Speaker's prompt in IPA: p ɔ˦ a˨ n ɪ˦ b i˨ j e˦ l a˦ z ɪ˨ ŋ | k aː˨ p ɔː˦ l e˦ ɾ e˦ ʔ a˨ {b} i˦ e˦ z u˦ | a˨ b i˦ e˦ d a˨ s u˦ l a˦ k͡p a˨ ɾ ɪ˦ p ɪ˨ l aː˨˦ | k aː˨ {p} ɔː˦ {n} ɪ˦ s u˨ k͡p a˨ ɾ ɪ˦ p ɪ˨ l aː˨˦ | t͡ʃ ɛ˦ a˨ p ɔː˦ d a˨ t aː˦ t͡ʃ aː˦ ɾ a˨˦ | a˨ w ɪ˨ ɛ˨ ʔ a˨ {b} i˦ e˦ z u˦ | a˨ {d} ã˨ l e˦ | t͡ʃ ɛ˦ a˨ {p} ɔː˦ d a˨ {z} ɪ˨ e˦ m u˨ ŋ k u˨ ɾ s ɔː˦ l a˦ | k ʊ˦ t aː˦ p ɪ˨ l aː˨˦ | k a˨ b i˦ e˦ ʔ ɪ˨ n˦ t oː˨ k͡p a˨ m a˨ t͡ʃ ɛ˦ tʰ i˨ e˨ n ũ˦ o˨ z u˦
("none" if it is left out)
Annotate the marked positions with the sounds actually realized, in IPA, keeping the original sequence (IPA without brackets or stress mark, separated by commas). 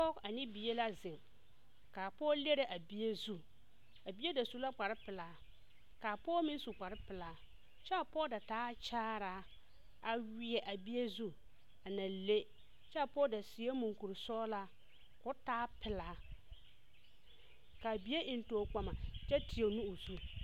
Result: b, p, m, b, n, p, s